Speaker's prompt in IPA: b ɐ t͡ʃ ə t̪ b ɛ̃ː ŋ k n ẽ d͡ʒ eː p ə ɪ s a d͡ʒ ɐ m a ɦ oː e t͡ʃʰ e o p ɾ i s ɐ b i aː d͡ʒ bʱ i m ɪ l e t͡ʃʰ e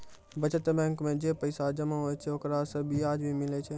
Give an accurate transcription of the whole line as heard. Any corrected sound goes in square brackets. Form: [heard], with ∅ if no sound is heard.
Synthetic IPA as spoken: b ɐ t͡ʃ ə t̪ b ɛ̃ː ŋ k [m] ẽ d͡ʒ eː p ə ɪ s a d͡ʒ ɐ m a ɦ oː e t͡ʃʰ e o [k] ɾ [a] s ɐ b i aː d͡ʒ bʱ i m ɪ l e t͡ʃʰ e

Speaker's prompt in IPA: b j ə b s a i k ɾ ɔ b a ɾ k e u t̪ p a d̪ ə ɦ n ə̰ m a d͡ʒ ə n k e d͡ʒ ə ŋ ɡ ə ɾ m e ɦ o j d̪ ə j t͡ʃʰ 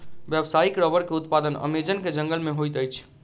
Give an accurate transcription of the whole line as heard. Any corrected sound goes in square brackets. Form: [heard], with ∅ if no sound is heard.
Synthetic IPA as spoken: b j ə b s a i k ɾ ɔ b [ə] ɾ k e u t̪ p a d̪ ə [∅] n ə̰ m [e] d͡ʒ ə n k e d͡ʒ ə ŋ ɡ ə [l] m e ɦ o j [t̪] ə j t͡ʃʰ

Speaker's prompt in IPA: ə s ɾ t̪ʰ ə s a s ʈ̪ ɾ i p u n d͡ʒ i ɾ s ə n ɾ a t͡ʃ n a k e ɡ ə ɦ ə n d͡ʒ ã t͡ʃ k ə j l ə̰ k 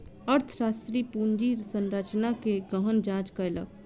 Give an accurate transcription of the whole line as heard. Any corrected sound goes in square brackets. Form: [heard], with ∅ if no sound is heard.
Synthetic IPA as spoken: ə [∅] ɾ t̪ʰ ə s a s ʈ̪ ɾ i p u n d͡ʒ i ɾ s ə n ɾ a t͡ʃ n a k e ɡ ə ɦ ə n d͡ʒ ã t͡ʃ k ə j l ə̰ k

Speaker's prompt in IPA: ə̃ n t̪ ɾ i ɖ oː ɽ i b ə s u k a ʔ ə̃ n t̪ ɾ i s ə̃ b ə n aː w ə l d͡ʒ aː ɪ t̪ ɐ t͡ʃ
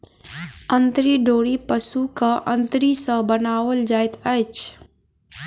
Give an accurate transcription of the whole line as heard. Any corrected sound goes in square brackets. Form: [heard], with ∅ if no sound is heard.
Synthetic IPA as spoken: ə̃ n t̪ ɾ i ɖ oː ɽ i [p] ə s u k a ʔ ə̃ n t̪ ɾ i s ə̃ b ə n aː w ə l d͡ʒ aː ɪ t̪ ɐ t͡ʃ

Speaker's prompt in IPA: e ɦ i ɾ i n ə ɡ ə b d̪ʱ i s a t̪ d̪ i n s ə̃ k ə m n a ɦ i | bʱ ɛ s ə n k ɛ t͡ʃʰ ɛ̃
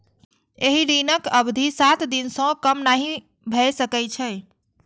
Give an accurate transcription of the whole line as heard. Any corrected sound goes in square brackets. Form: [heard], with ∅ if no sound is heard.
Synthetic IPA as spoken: e ɦ i ɾ i n ə [k] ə b d̪ʱ i s a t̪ d̪ i n s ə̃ k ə m n a ɦ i | bʱ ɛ s ə [∅] k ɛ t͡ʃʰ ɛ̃

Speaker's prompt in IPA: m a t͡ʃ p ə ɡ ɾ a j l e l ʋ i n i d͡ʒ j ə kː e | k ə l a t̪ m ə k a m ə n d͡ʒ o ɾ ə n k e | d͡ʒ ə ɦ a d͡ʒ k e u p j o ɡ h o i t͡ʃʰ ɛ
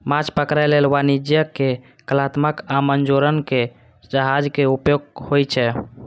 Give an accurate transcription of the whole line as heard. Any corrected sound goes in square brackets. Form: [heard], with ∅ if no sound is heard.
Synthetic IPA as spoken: m a t͡ʃ p ə [k] ɾ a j l e l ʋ [a] n i d͡ʒ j ə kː e | k ə l a t̪ m ə k a m ə n d͡ʒ o ɾ ə n k e | d͡ʒ ə ɦ a d͡ʒ k e u p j o ɡ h o [j] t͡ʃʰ ɛ

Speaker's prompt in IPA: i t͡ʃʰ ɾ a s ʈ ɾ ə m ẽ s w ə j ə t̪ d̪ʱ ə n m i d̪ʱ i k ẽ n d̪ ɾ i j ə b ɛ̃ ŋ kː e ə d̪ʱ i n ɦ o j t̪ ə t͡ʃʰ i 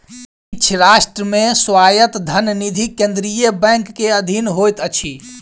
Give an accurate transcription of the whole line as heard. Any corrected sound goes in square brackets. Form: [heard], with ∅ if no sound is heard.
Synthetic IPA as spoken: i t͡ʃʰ ɾ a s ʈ ɾ ə m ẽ s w [a] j ə t̪ d̪ʱ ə n [n] i d̪ʱ i k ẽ n d̪ ɾ i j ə b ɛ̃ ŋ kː e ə d̪ʱ i n ɦ o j t̪ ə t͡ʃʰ i

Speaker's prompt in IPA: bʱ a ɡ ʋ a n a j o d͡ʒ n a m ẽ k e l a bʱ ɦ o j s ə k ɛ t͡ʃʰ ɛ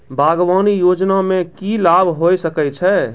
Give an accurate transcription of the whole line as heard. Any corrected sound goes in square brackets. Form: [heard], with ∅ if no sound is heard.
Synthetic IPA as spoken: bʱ a ɡ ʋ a n [i] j o d͡ʒ n a m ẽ k [i] l a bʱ ɦ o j s ə k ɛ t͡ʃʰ ɛ

